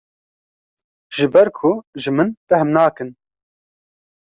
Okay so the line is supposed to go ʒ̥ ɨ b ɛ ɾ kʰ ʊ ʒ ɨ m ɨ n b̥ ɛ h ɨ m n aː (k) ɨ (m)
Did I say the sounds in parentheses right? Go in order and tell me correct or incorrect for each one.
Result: correct, incorrect: n

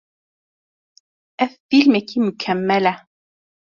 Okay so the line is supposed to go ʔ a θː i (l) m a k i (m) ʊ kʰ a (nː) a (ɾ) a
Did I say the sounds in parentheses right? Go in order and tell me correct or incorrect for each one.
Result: correct, correct, incorrect: mː, incorrect: l

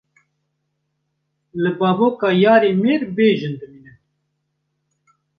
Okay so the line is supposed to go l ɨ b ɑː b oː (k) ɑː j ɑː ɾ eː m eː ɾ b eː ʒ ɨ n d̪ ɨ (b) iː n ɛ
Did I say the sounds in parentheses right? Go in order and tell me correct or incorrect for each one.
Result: correct, incorrect: m

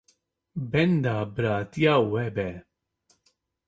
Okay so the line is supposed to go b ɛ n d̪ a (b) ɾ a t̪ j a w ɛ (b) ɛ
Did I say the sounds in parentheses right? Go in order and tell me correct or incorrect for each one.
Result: correct, correct

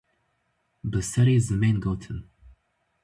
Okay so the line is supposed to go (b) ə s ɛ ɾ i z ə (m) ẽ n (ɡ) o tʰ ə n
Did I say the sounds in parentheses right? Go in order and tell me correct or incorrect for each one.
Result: correct, correct, correct

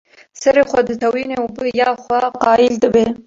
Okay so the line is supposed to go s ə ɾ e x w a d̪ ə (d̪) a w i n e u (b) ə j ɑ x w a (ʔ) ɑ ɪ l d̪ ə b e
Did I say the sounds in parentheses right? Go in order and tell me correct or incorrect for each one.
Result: incorrect: t̪, correct, incorrect: q

